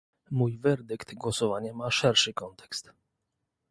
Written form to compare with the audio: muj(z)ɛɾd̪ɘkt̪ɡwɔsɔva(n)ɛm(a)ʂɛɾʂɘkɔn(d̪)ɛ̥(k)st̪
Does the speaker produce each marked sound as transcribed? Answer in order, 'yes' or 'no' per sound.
no, no, yes, no, yes

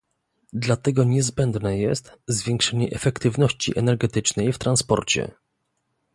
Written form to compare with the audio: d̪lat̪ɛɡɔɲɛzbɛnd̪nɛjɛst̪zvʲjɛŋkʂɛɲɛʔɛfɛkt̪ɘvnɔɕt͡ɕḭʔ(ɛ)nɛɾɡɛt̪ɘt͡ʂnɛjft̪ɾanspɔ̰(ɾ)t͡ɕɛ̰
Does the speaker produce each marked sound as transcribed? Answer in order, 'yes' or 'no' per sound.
yes, yes

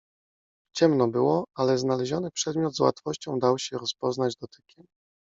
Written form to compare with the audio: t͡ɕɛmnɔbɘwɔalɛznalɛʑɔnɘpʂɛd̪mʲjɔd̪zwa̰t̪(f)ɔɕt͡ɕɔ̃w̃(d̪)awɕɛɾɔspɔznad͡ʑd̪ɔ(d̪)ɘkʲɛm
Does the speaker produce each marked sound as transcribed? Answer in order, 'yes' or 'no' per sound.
yes, yes, no

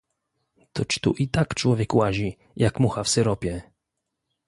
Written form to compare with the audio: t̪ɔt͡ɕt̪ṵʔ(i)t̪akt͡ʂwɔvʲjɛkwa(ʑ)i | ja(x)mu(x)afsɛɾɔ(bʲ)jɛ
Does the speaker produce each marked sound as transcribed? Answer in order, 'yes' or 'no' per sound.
yes, yes, no, yes, no

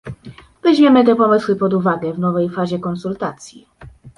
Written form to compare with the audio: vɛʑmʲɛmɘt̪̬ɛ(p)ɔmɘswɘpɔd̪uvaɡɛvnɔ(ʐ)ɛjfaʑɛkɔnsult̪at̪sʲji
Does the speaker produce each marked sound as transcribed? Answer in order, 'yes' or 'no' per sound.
yes, no

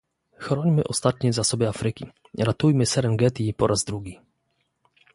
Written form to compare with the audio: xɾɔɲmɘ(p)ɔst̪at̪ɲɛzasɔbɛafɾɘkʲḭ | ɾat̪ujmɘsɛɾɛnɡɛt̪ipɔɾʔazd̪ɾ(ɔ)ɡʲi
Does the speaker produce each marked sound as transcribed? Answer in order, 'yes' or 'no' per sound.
no, no

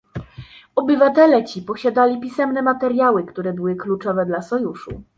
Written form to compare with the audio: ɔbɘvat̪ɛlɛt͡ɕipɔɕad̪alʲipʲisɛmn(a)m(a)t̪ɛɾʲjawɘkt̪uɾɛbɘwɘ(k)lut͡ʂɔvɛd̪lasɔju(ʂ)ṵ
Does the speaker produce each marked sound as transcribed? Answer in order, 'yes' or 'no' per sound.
no, yes, yes, yes

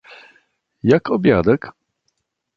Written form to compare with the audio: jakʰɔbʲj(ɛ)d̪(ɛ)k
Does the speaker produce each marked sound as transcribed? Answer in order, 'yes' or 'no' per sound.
no, yes

